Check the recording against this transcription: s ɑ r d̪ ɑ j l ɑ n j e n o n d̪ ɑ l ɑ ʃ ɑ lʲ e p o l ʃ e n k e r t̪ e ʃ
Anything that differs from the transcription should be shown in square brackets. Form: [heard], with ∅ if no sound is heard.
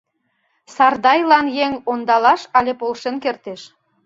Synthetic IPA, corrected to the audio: s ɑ r d̪ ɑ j l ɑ n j e [ŋ] o n d̪ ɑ l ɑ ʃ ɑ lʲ e p o l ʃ e n k e r t̪ e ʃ